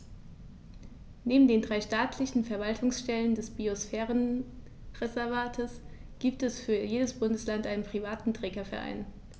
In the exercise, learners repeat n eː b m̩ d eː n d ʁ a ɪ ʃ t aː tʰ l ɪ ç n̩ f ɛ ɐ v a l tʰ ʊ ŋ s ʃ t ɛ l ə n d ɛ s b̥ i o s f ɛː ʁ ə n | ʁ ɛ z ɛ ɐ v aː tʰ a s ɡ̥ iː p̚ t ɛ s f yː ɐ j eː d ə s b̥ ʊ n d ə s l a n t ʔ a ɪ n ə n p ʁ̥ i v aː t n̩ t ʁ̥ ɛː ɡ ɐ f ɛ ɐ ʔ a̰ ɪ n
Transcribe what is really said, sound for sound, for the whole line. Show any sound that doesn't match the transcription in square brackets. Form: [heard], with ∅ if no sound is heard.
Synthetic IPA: n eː b m̩ d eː n d ʁ a ɪ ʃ t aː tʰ l ɪ ç n̩ f ɛ ɐ v a l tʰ ʊ ŋ s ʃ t ɛ l ə n d ɛ s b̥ i o s f ɛː ʁ ə n | ʁ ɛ z ɛ ɐ v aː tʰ [ə] s ɡ̥ iː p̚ t ɛ s f yː ɐ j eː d ə s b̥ ʊ n d ə s l a n t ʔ a ɪ n ə n p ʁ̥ i v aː t n̩ t ʁ̥ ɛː ɡ ɐ f ɛ ɐ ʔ a̰ ɪ n